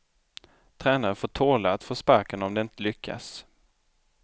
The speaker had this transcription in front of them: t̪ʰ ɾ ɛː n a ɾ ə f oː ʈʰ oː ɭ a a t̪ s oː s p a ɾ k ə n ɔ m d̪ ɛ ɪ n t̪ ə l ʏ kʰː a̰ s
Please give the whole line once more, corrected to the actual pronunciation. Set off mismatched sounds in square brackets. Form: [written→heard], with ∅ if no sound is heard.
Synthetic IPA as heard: t̪ʰ ɾ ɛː n a ɾ ə f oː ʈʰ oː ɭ a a t̪ [s→f] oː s p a ɾ k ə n ɔ m d̪ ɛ ɪ n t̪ ə l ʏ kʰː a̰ s

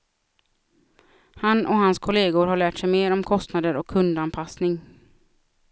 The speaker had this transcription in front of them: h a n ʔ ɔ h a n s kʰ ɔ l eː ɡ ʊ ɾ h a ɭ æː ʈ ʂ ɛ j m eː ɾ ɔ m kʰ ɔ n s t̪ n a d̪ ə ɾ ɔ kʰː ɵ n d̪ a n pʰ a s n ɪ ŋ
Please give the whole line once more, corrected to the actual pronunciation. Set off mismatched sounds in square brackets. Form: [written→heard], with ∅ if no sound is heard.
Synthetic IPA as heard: h a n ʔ ɔ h a n s kʰ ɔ l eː ɡ ʊ ɾ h a ɭ æː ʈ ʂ ɛ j m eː ɾ ɔ m kʰ ɔ [n→∅] s t̪ n a d̪ ə ɾ ɔ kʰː ɵ n d̪ a n pʰ a s n ɪ ŋ

